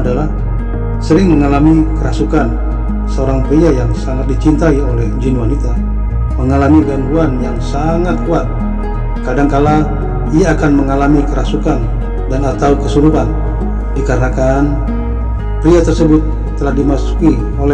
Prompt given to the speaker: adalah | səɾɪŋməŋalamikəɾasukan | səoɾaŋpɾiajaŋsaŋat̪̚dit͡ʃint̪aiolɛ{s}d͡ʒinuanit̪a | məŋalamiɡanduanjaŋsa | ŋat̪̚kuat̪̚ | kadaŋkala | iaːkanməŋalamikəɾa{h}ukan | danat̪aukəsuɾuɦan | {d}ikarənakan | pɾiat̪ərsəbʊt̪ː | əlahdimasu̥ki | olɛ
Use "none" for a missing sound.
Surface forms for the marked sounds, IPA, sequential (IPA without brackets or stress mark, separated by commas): h, s, d